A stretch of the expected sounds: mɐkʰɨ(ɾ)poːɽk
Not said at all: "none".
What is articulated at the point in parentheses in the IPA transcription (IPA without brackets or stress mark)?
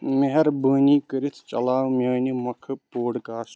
none